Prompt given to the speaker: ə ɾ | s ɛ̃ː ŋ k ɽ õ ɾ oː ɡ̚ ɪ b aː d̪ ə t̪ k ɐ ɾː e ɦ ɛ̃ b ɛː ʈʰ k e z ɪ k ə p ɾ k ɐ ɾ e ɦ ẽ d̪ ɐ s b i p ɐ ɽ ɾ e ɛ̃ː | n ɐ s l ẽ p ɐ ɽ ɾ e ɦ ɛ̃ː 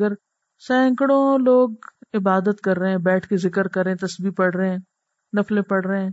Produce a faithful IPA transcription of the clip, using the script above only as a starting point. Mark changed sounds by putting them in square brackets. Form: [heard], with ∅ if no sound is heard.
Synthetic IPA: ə ɾ | s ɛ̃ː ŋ k ɽ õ [l] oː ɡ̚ ɪ b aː d̪ ə t̪ k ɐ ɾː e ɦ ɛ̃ b ɛː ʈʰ k e z ɪ k ə [∅] ɾ k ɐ ɾ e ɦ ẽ [t̪] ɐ s b i p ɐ ɽ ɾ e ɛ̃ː | n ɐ [f] l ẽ p ɐ ɽ ɾ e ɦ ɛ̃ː